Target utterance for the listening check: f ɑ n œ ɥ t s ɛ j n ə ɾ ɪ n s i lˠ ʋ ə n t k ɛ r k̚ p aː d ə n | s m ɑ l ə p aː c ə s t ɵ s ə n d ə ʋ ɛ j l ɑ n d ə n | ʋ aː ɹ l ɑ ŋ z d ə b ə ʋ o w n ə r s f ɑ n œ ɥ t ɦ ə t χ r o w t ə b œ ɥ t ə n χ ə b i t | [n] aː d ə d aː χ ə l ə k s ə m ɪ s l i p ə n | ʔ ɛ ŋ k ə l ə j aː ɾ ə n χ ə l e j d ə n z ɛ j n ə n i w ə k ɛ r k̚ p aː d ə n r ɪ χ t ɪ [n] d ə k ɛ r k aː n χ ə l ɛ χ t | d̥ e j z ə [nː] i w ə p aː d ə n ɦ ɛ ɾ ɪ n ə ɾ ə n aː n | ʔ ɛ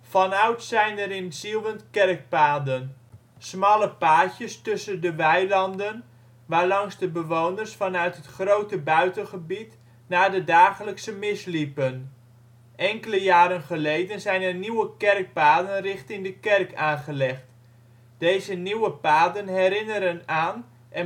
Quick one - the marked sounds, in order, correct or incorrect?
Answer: correct, incorrect: ŋ, incorrect: n

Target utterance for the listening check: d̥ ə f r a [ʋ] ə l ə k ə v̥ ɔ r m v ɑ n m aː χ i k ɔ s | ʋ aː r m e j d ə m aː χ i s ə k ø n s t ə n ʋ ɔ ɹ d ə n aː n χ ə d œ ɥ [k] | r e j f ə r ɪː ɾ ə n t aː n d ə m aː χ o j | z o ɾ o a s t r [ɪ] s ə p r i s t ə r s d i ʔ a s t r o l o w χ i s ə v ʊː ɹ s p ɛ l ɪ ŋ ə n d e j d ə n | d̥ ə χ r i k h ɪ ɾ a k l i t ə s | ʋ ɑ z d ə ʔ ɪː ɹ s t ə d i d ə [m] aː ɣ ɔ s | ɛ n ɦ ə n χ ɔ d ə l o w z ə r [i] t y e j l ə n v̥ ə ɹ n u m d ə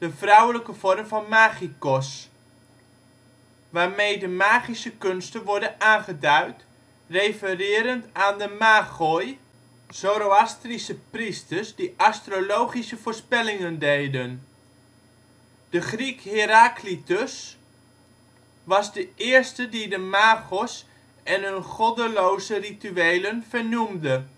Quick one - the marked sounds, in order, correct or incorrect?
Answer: incorrect: w, incorrect: t, incorrect: i, correct, correct

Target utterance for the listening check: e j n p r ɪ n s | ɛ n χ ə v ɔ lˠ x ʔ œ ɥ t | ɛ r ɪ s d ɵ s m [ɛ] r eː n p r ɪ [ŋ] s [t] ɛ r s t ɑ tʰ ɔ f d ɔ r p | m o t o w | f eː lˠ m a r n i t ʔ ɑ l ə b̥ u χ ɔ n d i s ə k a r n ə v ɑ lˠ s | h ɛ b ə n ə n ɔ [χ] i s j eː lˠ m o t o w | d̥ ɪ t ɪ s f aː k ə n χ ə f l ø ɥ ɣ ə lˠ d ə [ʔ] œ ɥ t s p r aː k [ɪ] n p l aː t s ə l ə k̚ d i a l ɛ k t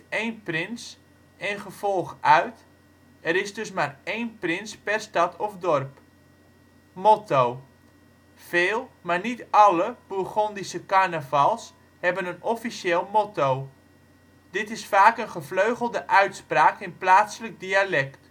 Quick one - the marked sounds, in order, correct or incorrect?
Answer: incorrect: a, incorrect: n, incorrect: p, incorrect: f, correct, correct

